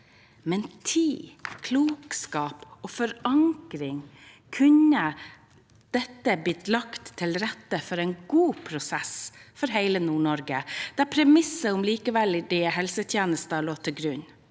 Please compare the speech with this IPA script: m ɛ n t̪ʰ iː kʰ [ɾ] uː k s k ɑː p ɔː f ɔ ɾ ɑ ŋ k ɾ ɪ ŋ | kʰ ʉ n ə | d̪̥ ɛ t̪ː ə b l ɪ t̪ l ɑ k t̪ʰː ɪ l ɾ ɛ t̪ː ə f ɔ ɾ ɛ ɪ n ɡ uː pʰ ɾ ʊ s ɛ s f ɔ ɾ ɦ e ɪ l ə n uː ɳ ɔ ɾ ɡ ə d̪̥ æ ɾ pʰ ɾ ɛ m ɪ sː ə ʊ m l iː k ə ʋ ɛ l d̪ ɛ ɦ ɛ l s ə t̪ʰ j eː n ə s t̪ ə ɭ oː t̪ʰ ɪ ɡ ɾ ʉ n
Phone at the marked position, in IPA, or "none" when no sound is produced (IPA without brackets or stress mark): l